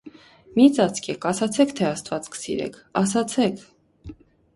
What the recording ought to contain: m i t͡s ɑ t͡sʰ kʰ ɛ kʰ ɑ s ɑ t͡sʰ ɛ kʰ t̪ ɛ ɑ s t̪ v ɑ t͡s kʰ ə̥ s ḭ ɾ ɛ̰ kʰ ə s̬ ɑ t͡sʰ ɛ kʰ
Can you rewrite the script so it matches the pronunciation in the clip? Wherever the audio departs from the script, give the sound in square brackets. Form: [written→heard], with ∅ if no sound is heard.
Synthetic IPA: m i t͡s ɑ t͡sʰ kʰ ɛ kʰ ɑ s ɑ t͡sʰ ɛ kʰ [t̪→t̪ʰ] ɛ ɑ s t̪ v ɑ t͡s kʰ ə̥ s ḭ ɾ ɛ̰ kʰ [ə→ɑ] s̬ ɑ t͡sʰ ɛ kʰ